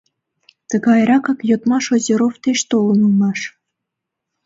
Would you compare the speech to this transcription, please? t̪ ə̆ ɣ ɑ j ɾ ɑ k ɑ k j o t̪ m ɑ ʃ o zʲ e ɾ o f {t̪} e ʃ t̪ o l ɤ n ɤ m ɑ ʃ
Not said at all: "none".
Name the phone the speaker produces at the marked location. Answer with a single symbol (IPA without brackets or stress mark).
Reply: t̪